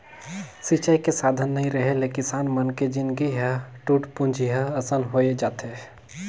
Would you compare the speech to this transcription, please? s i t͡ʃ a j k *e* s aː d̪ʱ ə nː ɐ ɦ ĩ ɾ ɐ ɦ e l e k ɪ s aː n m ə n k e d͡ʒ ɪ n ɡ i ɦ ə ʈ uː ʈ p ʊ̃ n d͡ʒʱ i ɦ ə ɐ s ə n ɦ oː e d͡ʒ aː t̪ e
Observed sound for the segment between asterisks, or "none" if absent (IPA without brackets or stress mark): e